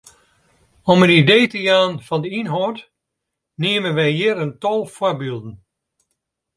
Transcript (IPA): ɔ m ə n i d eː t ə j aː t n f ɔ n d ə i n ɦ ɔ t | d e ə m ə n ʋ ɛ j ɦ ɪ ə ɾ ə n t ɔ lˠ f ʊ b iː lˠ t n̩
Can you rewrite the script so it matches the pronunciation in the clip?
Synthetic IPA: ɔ m ə n i d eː t ə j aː n f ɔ n d ə i n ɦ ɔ t | n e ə m ə n ʋ ɛ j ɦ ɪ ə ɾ ə n t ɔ lˠ f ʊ b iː lˠ d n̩